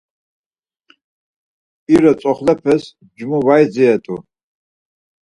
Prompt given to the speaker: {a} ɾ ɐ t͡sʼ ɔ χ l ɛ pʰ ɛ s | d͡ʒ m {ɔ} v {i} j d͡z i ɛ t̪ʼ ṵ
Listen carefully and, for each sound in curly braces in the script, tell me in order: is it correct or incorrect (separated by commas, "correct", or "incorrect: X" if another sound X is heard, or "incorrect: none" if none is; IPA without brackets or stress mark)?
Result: incorrect: i, incorrect: u, incorrect: a